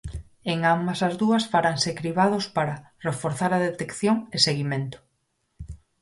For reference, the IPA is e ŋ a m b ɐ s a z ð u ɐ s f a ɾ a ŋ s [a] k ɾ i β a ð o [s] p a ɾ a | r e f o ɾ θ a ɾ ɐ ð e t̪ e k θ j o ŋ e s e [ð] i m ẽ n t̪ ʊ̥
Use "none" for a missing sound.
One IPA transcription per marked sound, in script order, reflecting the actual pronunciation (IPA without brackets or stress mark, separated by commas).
e, s, ɣ